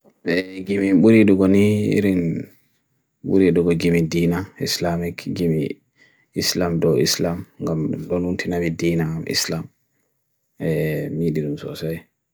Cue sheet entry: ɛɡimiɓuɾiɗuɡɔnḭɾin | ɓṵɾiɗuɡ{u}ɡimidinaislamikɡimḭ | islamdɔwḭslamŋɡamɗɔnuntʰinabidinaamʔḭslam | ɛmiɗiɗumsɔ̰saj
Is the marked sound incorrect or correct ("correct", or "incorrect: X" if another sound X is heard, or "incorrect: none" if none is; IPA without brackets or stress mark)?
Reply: incorrect: ɔ